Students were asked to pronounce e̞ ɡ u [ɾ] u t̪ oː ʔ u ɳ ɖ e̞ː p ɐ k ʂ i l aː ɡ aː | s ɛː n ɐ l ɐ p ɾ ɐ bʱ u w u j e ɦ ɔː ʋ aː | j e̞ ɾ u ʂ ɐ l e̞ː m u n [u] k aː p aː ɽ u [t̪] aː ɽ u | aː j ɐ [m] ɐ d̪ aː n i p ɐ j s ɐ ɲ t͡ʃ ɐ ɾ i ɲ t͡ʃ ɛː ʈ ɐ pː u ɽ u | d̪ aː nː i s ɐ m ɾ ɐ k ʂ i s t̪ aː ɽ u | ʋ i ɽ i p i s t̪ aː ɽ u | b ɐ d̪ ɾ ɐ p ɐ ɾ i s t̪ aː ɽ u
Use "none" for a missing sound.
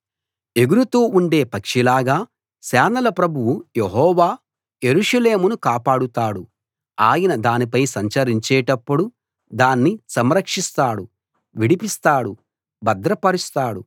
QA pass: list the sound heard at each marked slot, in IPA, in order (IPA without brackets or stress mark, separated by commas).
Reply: ɾ, u, t̪, n